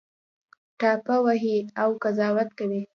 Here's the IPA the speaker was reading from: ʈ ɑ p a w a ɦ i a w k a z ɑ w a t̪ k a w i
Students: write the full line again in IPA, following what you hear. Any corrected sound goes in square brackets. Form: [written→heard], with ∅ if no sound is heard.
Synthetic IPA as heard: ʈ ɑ p a w a ɦ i a w k a z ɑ w a t̪ k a w i